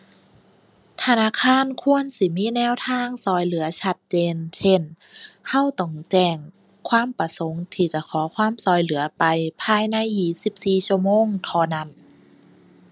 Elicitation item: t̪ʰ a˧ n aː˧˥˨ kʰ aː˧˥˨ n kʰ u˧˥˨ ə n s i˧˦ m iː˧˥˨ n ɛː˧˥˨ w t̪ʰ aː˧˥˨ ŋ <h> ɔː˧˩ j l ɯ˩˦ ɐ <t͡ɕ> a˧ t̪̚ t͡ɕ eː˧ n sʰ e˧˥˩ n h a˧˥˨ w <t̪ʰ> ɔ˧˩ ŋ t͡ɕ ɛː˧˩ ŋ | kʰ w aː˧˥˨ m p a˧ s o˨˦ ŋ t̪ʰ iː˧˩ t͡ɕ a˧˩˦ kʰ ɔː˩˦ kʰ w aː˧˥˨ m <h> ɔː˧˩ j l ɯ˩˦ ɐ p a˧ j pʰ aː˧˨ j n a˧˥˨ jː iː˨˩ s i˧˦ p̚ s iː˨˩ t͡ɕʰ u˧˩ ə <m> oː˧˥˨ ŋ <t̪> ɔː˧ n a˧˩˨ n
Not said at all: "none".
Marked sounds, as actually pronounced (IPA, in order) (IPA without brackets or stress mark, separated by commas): s, t͡ɕʰ, t̪, s, m, t̪ʰ